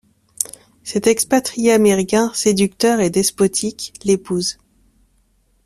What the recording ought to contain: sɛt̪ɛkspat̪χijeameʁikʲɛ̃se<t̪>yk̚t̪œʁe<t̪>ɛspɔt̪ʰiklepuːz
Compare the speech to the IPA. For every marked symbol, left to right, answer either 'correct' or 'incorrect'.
incorrect: d̪, incorrect: d̪

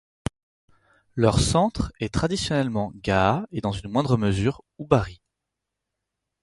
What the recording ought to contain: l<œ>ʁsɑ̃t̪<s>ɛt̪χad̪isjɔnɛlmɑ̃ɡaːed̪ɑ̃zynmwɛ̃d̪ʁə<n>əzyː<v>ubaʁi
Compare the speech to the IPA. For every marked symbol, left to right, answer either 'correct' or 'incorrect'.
correct, incorrect: χ, incorrect: m, incorrect: ʁ

